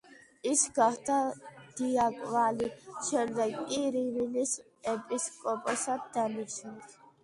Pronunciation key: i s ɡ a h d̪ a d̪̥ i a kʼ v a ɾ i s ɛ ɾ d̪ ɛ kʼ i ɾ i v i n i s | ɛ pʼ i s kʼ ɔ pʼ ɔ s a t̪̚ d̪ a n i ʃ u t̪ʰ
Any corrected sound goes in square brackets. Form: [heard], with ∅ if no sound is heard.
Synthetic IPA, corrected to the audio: i s ɡ a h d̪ a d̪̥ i a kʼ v a [l] i [ʃ] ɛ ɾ d̪ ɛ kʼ i ɾ i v i n i s | ɛ pʼ i s kʼ ɔ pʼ ɔ s a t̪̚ d̪ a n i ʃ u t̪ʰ